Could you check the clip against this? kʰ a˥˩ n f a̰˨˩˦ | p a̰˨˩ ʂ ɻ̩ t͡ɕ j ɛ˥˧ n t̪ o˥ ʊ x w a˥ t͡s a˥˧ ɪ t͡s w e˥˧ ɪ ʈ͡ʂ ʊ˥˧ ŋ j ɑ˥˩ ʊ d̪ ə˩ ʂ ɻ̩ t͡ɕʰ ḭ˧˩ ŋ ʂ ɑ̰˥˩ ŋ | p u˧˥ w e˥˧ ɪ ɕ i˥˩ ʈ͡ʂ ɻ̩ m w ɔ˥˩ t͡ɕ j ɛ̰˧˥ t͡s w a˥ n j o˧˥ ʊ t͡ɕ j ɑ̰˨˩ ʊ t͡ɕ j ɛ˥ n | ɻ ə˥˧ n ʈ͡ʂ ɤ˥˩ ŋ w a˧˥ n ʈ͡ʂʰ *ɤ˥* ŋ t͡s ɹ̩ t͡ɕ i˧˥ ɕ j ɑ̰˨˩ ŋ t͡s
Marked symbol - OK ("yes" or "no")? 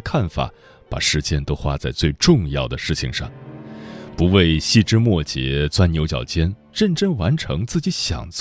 no